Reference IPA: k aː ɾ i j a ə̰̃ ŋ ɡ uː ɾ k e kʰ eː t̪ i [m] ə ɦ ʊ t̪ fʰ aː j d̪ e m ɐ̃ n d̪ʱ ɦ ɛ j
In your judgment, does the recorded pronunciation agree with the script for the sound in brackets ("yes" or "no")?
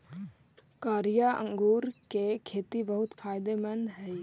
no